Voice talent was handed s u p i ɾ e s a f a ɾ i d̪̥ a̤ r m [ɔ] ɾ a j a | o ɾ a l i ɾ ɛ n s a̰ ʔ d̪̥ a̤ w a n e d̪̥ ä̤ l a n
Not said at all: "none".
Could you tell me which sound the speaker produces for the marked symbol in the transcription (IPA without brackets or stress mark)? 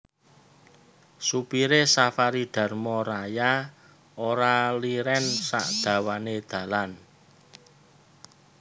ɔ